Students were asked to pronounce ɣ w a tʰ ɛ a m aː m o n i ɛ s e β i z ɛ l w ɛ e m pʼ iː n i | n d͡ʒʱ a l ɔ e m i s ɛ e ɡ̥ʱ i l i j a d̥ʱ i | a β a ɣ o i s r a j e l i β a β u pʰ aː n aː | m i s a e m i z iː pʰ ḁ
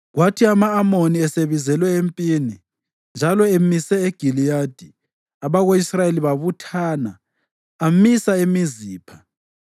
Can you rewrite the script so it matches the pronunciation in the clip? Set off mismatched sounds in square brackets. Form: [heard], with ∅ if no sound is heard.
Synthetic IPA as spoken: ɣ w a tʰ [i] a m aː m o n i ɛ s e β i z ɛ l w ɛ e m pʼ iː n i | n d͡ʒʱ a l ɔ e m i s ɛ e ɡ̥ʱ i l i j a d̥ʱ i | a β a ɣ o i s r a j e l i β a β u [tʰ] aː n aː | m i s a e m i z iː pʰ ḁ

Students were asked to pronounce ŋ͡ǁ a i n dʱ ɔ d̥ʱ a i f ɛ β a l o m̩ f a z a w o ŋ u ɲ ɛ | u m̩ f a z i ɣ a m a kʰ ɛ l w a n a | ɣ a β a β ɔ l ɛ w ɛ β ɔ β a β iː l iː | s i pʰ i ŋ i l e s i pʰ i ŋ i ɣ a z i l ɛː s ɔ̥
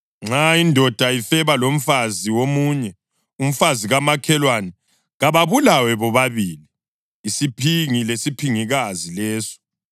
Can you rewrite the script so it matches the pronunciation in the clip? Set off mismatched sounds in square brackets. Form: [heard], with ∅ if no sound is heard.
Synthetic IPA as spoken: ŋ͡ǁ a i n dʱ ɔ d̥ʱ a i f ɛ β a l o m̩ f a z [i] w o [m] u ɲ ɛ | u m̩ f a z i ɣ a m a kʰ ɛ l w a n [ɛ] | ɣ a β a β [u] l [a] w ɛ β ɔ β a β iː l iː | s i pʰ i ŋ i l e s i pʰ i ŋ i ɣ a z i l ɛː s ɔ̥

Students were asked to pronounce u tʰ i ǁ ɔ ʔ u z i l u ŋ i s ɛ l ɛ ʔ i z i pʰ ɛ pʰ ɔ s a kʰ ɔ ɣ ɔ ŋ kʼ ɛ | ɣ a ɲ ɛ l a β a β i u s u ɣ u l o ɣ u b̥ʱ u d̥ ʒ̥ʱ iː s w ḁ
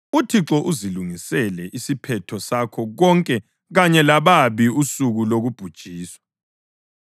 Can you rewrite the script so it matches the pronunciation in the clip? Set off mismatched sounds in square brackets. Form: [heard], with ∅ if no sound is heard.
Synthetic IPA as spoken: u tʰ i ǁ ɔ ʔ u z i l u ŋ i s ɛ l ɛ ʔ i [s] i pʰ ɛ [tʰ] ɔ s a kʰ ɔ ɣ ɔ ŋ kʼ ɛ | ɣ a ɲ ɛ l a β a β i u s u ɣ u l o ɣ u b̥ʱ u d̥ ʒ̥ʱ iː s w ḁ

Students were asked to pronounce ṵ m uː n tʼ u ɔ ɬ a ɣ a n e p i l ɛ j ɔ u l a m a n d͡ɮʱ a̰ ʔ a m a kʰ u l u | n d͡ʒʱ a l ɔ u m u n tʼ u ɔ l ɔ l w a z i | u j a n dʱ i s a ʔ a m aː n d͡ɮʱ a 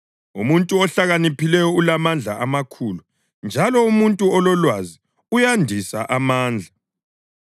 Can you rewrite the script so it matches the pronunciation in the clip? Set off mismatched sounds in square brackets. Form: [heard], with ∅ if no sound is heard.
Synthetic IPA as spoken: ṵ m [u] n tʼ u ɔ ɬ a ɣ a n [i] p i l ɛ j ɔ u l a m a n d͡ɮʱ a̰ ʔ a m a kʰ u l u | n d͡ʒʱ a l ɔ u m u n tʼ u ɔ l ɔ l w a z i | u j a n dʱ i s a ʔ a m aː n d͡ɮʱ a

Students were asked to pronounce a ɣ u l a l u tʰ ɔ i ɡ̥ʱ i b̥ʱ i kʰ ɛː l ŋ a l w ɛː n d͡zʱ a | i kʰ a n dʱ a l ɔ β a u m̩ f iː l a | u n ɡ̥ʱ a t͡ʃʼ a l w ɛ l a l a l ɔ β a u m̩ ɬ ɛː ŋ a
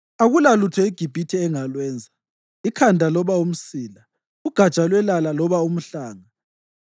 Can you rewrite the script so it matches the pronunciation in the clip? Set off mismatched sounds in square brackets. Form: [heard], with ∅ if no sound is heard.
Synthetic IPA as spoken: a ɣ u l a l u tʰ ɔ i ɡ̥ʱ i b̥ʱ i [tʰ] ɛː [∅] ŋ a l w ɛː n d͡zʱ a | i kʰ a n dʱ a l ɔ β a u m̩ [s] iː l a | u [∅] ɡ̥ʱ a t͡ʃʼ a l w ɛ l a l a l ɔ β a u m̩ ɬ [aː] ŋ a

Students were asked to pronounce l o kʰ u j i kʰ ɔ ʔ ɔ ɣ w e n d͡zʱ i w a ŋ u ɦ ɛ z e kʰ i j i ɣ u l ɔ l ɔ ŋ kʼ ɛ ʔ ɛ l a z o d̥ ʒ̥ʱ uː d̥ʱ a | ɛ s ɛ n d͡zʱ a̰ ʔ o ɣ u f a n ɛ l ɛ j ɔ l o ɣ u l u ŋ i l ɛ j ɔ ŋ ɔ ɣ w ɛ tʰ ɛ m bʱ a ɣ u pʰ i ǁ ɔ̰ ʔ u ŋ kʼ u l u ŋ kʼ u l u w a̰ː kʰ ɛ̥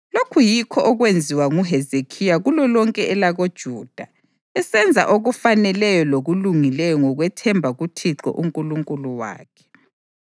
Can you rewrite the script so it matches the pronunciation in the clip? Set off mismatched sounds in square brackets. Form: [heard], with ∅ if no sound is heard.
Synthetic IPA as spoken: l o kʰ u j i kʰ ɔ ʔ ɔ ɣ w e n d͡zʱ i w a ŋ u ɦ ɛ z e kʰ i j [a] ɣ u l ɔ l ɔ ŋ kʼ ɛ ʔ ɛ l a [ɣ] o d̥ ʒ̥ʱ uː d̥ʱ a | ɛ s ɛ n d͡zʱ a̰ ʔ o ɣ u f a n ɛ l ɛ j ɔ l o ɣ u l u ŋ i l ɛ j ɔ ŋ ɔ ɣ w ɛ tʰ ɛ m bʱ a ɣ u [tʰ] i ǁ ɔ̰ ʔ u ŋ kʼ u l u ŋ kʼ u l u w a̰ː kʰ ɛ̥

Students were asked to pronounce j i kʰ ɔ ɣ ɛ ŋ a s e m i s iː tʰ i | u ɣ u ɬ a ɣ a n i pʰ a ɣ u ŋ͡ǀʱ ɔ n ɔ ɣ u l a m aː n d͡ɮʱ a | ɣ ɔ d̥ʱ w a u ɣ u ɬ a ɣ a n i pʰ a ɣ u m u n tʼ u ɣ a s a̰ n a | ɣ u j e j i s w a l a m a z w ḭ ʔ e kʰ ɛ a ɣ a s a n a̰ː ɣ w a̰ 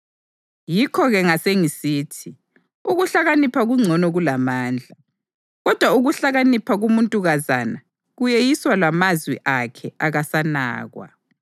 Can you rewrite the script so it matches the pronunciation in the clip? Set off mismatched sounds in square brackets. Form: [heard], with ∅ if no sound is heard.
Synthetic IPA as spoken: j i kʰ ɔ ɣ ɛ ŋ a s e [ŋ] i s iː tʰ i | u ɣ u ɬ a ɣ a n i pʰ a ɣ u ŋ͡ǀʱ ɔ n ɔ ɣ u l a m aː n d͡ɮʱ a | ɣ ɔ d̥ʱ w a u ɣ u ɬ a ɣ a n i pʰ a ɣ u m u n tʼ u ɣ a [z] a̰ n a | ɣ u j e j i s w a l a m a z w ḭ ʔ [a] kʰ ɛ a ɣ a s a n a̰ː ɣ w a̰

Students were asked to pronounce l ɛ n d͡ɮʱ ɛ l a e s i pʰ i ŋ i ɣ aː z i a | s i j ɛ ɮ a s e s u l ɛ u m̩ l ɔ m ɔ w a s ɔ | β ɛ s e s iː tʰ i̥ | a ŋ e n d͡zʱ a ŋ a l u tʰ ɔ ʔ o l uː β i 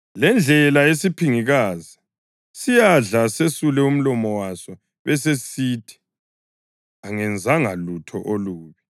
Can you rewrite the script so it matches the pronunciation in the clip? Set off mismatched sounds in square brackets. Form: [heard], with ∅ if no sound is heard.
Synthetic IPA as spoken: l ɛ n d͡ɮʱ ɛ l a e s i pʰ i ŋ i ɣ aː z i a | s i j [a] ɮ a s e s u l ɛ u m̩ l ɔ m ɔ w a s ɔ | β ɛ s e s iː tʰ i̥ | a ŋ [ɛ] n d͡zʱ a ŋ a l u tʰ ɔ ʔ o l uː β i

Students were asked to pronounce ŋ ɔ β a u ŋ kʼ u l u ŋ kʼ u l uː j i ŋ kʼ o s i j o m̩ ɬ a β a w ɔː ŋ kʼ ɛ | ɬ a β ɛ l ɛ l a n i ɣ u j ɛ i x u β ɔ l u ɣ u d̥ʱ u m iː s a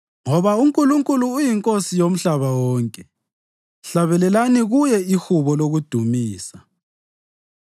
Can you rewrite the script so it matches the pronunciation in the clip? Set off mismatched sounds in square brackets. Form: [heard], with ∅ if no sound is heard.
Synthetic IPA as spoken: ŋ ɔ β a u ŋ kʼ u l u ŋ kʼ u l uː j i ŋ kʼ o s i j o m̩ ɬ a β a w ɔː ŋ kʼ ɛ | ɬ a β ɛ l ɛ l a n i ɣ u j ɛ i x u β ɔ l [o] ɣ u d̥ʱ u m iː s a

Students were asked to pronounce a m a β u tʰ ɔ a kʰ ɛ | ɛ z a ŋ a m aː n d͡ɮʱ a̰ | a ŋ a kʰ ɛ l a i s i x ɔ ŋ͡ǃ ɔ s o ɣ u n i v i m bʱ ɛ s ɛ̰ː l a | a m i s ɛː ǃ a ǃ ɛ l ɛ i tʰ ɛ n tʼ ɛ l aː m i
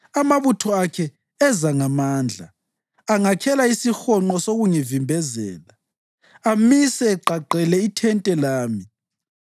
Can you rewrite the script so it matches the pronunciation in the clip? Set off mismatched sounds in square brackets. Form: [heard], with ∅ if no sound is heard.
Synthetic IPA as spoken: a m a β u tʰ ɔ a kʰ ɛ | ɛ z a ŋ a m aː n d͡ɮʱ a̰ | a ŋ a kʰ ɛ l a i s i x ɔ ŋ͡ǃ ɔ s o ɣ u [ŋ] i v i m bʱ ɛ [z] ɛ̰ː l a | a m i s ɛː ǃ a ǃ ɛ l ɛ i tʰ ɛ n tʼ ɛ l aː m i

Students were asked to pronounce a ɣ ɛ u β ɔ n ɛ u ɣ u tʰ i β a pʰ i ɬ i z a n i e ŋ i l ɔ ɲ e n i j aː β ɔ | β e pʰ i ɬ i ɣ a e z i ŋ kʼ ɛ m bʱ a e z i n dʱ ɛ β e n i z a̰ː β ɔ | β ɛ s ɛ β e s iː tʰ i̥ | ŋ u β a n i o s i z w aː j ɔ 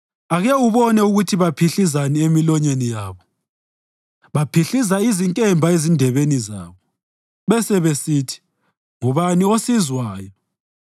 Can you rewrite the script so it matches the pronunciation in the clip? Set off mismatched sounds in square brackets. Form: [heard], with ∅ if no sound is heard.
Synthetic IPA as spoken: a ɣ ɛ u β ɔ n ɛ u ɣ u tʰ i β a pʰ i ɬ i z a n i e [m] i l ɔ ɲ e n i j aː β ɔ | β [a] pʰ i ɬ i [z] a [i] z i ŋ kʼ ɛ m bʱ a e z i n dʱ ɛ β e n i z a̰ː β ɔ | β ɛ s ɛ β e s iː tʰ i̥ | ŋ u β a n i o s i z w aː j ɔ

